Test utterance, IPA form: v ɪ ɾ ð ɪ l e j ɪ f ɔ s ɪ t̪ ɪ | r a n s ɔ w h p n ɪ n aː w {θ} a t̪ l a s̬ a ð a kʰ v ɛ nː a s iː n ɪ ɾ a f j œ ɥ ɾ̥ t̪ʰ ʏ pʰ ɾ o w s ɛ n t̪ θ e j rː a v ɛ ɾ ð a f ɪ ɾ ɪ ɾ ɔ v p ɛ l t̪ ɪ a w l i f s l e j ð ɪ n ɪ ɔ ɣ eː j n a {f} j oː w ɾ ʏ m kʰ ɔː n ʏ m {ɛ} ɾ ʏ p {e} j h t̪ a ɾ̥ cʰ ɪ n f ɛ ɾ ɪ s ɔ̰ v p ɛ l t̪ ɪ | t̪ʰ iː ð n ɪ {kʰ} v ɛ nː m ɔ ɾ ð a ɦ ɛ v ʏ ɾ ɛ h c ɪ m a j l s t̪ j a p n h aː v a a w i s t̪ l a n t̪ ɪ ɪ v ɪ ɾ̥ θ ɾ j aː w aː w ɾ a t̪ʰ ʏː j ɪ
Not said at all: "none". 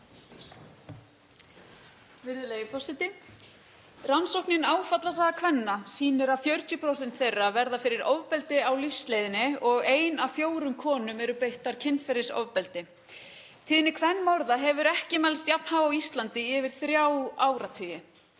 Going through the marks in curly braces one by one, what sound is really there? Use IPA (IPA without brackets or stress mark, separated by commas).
f, f, ɛ, e, kʰ